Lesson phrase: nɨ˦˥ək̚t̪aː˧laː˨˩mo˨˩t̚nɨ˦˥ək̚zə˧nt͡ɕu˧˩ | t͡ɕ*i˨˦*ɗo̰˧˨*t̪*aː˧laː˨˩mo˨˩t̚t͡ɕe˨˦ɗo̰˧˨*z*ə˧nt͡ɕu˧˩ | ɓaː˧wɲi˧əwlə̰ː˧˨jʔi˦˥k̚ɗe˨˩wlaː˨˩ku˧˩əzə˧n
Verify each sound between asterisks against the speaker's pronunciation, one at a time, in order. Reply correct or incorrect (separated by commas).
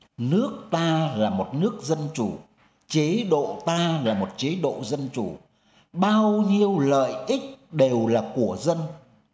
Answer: incorrect, correct, correct